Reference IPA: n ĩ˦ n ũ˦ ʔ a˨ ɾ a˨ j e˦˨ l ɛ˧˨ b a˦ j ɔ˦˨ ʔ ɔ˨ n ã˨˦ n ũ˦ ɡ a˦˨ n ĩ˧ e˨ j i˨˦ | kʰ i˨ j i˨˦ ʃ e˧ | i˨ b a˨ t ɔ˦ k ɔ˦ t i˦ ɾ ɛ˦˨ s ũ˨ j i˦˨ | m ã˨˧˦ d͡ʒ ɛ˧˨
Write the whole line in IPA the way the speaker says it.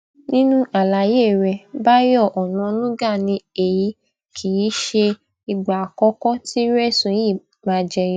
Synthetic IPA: n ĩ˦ n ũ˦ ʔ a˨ l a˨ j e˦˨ ɾ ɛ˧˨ b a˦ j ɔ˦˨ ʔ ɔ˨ n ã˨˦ n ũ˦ ɡ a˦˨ n ĩ˧ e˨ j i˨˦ | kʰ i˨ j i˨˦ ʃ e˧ | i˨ ɡ͡b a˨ k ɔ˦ k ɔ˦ t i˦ ɾ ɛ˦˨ s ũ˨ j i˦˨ | m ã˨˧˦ d͡ʒ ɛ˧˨